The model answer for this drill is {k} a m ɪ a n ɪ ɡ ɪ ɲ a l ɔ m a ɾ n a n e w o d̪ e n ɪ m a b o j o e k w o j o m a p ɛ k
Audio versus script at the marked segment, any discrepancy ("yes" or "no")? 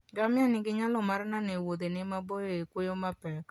yes